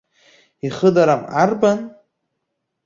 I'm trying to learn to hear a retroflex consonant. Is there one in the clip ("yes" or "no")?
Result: no